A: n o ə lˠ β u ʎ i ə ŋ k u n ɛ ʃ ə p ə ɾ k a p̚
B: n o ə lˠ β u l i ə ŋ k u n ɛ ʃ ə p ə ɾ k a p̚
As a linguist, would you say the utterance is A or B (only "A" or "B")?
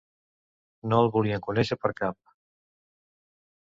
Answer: B